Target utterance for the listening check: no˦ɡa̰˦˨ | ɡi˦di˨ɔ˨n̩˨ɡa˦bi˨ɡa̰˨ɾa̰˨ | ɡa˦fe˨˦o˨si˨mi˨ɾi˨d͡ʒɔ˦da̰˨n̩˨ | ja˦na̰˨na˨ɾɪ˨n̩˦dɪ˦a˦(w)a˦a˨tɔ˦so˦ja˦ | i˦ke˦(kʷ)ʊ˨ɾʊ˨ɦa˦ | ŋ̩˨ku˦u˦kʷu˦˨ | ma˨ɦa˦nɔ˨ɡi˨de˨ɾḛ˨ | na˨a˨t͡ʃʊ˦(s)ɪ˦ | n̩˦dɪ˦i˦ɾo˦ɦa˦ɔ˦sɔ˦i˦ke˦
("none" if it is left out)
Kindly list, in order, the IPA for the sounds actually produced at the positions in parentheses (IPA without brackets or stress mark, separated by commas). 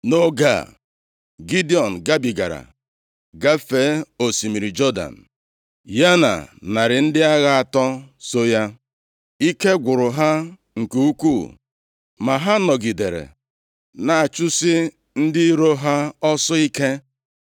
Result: ɣ, ɡʷ, s